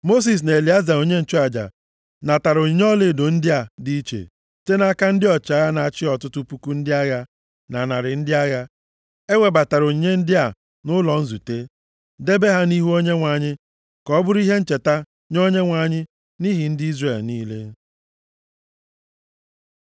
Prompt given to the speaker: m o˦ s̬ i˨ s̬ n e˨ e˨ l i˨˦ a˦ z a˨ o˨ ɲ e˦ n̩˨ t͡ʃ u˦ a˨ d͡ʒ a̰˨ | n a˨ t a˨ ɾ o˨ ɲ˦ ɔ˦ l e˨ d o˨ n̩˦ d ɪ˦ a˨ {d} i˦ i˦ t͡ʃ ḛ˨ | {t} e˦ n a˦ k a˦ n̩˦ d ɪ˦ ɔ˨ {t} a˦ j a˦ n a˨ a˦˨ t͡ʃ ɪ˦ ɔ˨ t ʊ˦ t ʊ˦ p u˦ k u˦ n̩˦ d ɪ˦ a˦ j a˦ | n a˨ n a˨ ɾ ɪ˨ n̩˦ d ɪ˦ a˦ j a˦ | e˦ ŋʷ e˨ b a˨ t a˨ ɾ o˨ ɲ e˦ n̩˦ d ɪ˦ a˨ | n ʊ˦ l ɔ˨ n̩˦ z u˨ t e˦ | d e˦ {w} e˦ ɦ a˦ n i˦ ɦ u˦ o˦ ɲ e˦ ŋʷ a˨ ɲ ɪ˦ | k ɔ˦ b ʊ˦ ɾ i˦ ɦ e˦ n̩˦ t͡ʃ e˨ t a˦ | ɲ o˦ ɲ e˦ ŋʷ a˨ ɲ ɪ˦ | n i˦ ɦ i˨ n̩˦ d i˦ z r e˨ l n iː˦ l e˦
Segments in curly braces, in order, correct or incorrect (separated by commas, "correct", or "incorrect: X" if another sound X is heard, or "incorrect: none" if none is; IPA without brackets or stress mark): correct, correct, incorrect: t͡ʃ, incorrect: b